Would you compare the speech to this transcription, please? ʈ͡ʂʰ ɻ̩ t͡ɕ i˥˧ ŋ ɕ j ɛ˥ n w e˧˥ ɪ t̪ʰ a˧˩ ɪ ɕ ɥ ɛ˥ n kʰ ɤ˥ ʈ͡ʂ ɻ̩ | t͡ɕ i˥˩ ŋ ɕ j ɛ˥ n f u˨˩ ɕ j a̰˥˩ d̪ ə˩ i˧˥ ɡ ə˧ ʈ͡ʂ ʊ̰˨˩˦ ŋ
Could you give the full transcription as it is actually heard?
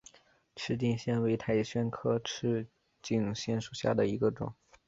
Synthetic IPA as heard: ʈ͡ʂʰ ɻ̩ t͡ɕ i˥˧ ŋ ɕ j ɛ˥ n w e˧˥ ɪ t̪ʰ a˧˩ ɪ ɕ ɥ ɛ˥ n kʰ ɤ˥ ʈ͡ʂʰ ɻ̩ | t͡ɕ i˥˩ ŋ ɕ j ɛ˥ n ʂ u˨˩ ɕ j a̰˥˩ d̪ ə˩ i˧˥ ɡ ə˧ ʈ͡ʂ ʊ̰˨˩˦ ŋ